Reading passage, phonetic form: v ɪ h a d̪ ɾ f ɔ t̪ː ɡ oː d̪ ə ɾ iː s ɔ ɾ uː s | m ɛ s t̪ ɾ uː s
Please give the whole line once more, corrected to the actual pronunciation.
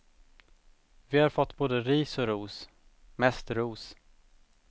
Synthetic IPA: v ɪ h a ɾ f ɔ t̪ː b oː d̪ ə ɾ iː s ɔ ɾ uː s | m ɛ s t̪ ɾ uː s

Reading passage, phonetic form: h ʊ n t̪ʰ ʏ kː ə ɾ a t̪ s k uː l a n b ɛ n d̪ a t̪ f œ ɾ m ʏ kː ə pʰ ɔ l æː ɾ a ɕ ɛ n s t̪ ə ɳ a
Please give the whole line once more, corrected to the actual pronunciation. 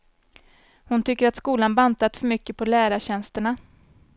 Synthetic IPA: h ʊ n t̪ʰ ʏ kː ə ɾ a t̪ s k uː l a n b a n t̪ a t̪ f œ ɾ m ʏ kː ə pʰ ɔ l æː ɾ a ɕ ɛ n s t̪ ə ɳ a

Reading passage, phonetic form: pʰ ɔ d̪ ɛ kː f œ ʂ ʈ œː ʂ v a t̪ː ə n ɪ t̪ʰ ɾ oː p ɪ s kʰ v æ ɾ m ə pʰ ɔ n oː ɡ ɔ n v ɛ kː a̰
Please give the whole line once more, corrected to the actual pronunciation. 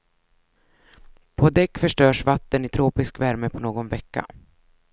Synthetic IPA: pʰ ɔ d̪ ɛ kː f œ ʂ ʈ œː ʂ v a t̪ː ə n ɪ t̪ʰ ɾ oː p ɪ s k v æ ɾ m ə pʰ ɔ n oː ɡ ɔ n v ɛ kː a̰

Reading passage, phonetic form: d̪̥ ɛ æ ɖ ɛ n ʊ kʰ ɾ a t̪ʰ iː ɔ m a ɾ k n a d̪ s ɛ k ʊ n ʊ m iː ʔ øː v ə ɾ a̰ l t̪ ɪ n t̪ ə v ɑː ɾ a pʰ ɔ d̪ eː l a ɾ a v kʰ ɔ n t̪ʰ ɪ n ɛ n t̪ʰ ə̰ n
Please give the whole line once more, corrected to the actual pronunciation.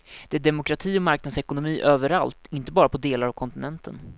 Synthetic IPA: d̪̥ ɛ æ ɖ ɛ m ʊ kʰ ɾ a t̪ʰ iː ɔ m a ɾ k n a d̪ s ɛ k ʊ n ʊ m iː ʔ øː v ə ɾ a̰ l t̪ ɪ n t̪ ə b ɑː ɾ a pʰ ɔ d̪ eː l a ɾ a v kʰ ɔ n t̪ ɪ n ɛ n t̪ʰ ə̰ n

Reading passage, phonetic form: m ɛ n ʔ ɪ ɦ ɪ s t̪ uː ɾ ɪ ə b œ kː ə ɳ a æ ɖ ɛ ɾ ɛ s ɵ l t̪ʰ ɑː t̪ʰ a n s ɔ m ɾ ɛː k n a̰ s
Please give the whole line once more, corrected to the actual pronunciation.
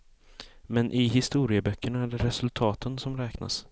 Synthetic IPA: m ɛ n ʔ ɪ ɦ ɪ s t̪ uː ɾ ɪ ə b œ kː ə ɳ a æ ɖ ɛ ɾ ɛ s ɵ l t̪ʰ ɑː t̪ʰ ə n s ɔ m ɾ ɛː k n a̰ s

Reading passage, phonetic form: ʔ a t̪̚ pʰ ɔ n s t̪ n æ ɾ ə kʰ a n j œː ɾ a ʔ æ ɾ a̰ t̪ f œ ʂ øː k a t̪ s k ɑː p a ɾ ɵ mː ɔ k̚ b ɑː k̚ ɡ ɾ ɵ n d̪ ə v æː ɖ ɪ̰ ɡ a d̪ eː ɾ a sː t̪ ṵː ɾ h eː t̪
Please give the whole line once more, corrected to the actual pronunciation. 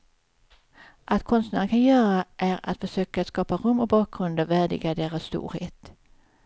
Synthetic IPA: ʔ a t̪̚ kʰ ɔ n s t̪ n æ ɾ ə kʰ a n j œː ɾ a ʔ æ ɾ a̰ t̪ f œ ʂ øː k a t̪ s k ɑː p a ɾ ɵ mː ɔ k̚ b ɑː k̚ ɡ ɾ ɵ n d̪ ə v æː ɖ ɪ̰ ɡ a d̪ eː ɾ a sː t̪ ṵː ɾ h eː t̪

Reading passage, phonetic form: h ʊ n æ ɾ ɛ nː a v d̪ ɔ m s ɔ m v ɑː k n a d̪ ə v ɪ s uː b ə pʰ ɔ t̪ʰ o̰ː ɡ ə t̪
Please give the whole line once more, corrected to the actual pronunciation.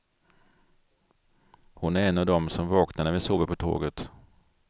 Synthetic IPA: h ʊ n æ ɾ ɛ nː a v d̪ ɔ m s ɔ m v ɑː k n a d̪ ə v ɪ s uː b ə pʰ ɔ t̪ʰ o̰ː ɡ ə t̪

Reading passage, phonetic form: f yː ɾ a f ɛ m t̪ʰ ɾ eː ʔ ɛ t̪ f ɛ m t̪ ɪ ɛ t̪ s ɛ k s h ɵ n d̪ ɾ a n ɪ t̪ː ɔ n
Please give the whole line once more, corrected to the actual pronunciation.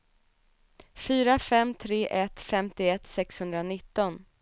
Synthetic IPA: f yː ɾ a f ɛ m t̪ʰ ɾ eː ʔ ɛ t̪ f ɛ m t̪ ɪ ɛ t̪ s ɛ k s h ɵ n d̪ ɾ a n ɪ t̪ː ɔ n

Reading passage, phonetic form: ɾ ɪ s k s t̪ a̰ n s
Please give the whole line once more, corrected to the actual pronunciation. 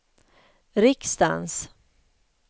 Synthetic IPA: ɾ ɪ k s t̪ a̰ n s

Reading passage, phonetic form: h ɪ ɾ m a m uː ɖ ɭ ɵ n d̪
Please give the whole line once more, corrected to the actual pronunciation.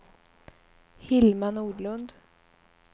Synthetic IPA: h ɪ l m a n uː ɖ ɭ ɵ n d̪

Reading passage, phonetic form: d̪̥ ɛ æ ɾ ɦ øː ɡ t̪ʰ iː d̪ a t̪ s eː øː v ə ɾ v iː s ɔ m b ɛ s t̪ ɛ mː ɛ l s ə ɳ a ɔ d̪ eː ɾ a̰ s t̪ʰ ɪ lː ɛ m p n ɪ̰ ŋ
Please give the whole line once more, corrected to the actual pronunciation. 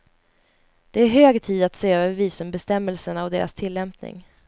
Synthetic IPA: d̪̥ ɛ æ ɾ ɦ øː ɡ t̪ʰ iː d̪ a t̪ s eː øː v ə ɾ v iː s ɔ m b ɛ s t̪ ɛ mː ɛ l s ə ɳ a ɔ d̪ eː ɾ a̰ s t̪ʰ ɪ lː ɛ m p n ɪ̰ ŋ

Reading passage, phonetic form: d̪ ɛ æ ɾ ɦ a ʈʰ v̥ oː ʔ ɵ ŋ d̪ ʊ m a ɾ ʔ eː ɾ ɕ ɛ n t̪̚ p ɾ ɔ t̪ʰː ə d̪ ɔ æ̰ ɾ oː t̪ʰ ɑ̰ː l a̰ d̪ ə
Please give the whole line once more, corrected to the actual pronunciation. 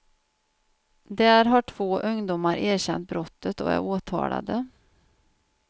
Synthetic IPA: d̪ ɛ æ ɾ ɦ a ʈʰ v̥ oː ʔ ɵ ŋ d̪ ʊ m a ɾ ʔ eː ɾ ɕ ɛ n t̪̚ b ɾ ɔ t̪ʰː ə t̪ ɔ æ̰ ɾ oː t̪ʰ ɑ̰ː l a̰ d̪ ə

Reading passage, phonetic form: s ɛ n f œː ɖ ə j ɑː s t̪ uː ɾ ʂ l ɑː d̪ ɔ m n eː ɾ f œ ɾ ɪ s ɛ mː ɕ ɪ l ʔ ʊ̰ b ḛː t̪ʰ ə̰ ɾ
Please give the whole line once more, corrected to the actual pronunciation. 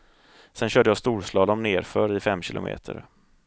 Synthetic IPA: s ɛ n ɕ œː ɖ ə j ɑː s t̪ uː ɾ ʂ l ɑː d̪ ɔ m n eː ɾ f œ ɾ ɪ f ɛ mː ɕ ɪ l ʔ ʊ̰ m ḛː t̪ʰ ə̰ ɾ

